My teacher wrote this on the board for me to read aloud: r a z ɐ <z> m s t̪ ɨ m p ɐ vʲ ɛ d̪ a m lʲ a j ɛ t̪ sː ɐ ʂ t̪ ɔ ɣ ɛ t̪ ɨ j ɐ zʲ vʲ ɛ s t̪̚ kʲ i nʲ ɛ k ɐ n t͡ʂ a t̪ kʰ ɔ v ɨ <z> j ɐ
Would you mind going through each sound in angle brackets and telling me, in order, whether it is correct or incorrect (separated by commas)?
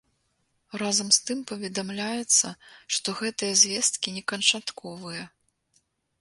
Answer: incorrect, incorrect